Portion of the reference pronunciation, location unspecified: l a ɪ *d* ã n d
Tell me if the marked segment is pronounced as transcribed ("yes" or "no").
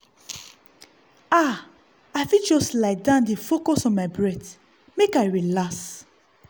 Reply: yes